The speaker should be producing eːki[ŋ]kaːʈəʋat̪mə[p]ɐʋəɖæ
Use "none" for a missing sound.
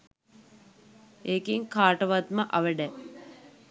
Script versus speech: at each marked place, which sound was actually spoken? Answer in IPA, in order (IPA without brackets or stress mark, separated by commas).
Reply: ŋ, ʔ